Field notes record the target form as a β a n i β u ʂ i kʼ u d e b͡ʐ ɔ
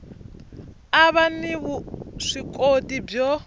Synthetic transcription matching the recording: a β a n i β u ʂ i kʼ o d i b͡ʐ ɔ